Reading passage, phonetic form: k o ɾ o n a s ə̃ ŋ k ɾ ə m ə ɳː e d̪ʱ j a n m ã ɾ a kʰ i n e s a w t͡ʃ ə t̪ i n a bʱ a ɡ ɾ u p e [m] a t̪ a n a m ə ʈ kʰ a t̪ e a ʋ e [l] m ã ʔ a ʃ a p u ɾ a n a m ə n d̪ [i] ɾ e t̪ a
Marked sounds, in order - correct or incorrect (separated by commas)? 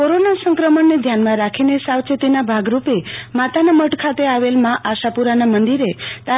correct, correct, correct